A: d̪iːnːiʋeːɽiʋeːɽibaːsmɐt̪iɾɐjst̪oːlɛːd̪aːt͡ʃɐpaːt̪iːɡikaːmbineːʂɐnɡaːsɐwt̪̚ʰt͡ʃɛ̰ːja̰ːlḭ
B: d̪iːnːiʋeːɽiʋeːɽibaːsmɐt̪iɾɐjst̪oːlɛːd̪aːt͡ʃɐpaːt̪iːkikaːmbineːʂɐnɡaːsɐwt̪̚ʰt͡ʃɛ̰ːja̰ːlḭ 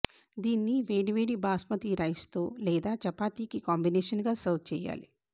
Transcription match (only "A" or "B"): B